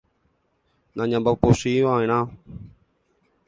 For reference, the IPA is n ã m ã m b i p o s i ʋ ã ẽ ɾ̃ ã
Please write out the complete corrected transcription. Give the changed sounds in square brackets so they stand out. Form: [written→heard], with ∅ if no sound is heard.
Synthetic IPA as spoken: n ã [m→ɲ] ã m b [i→a] p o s i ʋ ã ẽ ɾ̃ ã